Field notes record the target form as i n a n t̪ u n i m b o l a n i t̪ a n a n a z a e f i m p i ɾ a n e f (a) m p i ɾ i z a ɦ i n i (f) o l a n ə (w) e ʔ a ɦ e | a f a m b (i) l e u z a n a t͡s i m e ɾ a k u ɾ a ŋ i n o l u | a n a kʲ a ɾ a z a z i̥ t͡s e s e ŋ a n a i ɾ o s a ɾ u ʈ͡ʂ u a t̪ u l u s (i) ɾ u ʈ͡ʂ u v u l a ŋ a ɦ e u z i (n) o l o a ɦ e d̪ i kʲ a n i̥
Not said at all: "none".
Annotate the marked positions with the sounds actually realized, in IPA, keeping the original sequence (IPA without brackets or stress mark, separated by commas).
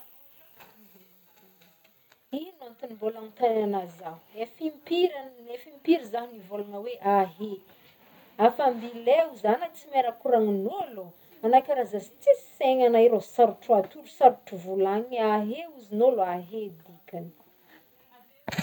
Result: i, v, w, i, a, n